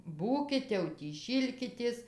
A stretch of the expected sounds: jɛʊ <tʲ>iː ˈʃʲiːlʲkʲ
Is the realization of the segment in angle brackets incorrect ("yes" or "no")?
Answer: no